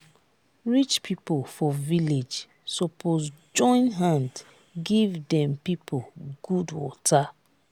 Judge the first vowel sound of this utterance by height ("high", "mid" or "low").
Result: high